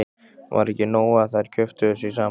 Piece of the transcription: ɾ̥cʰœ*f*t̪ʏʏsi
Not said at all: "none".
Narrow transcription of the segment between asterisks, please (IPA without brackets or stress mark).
f